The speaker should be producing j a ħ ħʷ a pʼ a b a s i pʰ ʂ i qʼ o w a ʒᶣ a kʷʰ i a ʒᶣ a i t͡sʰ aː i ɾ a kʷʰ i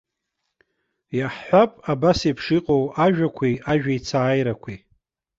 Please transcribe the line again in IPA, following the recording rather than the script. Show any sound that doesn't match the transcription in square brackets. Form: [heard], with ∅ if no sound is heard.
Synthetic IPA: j a ħ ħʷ a pʼ a b a s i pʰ ʂ i qʼ o w a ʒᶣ a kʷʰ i a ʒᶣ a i t͡sʰ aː [j] ɾ a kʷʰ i